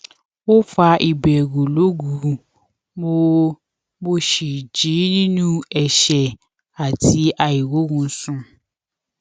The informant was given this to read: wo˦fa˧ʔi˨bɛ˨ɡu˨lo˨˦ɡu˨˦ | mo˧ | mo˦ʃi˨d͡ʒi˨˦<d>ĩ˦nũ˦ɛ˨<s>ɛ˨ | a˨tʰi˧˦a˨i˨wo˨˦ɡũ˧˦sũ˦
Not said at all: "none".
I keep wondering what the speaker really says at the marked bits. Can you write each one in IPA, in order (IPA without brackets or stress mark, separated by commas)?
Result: n, ʃ